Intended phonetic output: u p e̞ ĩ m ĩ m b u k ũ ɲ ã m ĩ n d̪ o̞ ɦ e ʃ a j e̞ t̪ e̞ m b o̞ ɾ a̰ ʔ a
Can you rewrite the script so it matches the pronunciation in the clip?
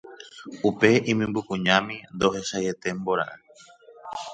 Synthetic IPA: u p e̞ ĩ m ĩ m b u k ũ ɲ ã m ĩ n d̪ o̞ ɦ e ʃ a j e̞ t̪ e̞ m b o̞ ɾ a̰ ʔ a